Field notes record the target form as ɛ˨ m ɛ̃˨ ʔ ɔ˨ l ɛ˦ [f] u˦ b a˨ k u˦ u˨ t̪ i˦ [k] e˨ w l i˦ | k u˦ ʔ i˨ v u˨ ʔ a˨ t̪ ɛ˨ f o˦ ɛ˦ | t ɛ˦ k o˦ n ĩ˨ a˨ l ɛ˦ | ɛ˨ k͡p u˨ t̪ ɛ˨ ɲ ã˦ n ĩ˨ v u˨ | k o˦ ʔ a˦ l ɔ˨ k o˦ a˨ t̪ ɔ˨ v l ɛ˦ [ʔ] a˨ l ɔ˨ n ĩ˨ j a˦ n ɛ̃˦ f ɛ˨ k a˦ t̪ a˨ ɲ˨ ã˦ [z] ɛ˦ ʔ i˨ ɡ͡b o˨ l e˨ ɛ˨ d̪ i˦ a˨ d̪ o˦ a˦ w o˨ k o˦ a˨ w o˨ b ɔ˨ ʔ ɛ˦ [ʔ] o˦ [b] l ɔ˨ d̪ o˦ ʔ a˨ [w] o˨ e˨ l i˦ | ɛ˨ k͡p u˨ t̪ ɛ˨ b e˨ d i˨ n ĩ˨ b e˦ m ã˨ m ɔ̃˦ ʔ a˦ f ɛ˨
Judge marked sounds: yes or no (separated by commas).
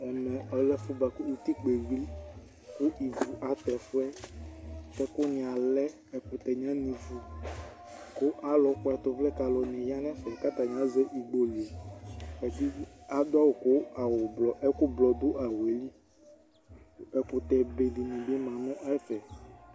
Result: yes, no, no, yes, no, yes, yes